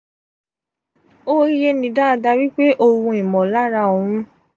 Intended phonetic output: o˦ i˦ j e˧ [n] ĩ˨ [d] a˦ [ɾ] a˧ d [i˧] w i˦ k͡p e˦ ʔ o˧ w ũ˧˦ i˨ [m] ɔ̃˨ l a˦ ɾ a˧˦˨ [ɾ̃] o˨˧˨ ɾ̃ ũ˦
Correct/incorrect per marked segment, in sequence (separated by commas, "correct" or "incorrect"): correct, correct, incorrect, incorrect, correct, incorrect